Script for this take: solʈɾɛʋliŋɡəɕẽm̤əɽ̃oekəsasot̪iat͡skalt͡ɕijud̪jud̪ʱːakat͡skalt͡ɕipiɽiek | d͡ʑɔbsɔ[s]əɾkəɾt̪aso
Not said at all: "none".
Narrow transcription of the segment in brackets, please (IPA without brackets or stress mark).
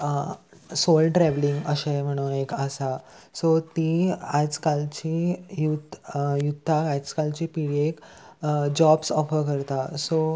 f